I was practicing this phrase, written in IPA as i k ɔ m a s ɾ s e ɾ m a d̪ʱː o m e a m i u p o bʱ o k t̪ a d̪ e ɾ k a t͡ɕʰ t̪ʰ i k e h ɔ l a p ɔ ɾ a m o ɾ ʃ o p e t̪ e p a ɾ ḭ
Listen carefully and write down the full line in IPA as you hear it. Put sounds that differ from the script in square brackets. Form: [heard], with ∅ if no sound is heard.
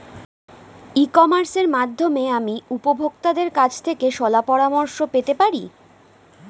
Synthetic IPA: i k ɔ m a [∅] ɾ s e ɾ m a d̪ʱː o m e a m i u p o bʱ o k t̪ a d̪ e ɾ k a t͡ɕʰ t̪ʰ [e] k e [ʃ] ɔ l a p ɔ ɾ a m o ɾ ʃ o p e t̪ e p a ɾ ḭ